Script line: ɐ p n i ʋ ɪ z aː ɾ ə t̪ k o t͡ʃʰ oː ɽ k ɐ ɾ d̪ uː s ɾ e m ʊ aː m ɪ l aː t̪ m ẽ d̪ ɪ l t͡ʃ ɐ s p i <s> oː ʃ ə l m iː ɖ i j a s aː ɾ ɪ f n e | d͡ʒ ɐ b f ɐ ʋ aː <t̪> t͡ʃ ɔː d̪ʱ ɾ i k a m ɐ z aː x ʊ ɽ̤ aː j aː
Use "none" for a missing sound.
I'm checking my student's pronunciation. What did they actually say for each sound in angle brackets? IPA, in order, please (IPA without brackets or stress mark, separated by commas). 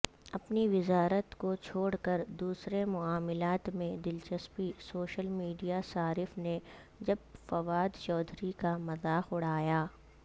s, d̪